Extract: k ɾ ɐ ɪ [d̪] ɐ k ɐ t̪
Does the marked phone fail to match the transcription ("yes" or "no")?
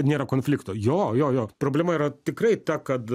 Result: yes